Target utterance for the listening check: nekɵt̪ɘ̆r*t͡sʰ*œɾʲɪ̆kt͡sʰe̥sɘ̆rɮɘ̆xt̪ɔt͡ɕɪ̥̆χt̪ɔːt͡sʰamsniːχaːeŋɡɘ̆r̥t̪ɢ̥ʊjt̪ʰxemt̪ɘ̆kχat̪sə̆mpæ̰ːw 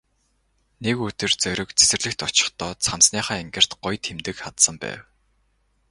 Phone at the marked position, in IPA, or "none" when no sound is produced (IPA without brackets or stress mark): t͡s